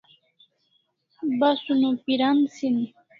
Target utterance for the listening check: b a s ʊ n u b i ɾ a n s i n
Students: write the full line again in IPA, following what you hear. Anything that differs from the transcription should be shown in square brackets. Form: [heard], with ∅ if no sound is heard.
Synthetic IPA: b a s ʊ n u [p] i ɾ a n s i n